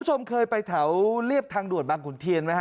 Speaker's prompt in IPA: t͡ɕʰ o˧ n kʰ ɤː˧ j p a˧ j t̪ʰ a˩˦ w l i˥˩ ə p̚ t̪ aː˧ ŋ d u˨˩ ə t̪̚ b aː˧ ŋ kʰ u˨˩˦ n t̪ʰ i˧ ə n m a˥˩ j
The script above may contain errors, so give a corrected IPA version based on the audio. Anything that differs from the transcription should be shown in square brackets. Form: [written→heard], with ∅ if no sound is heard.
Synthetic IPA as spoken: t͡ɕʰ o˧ [n→m] kʰ ɤː˧ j p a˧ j t̪ʰ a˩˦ w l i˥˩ ə p̚ [t̪→t̪ʰ] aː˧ ŋ d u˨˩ ə t̪̚ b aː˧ ŋ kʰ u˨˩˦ n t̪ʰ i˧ ə n m [a˥˩→a˦˥] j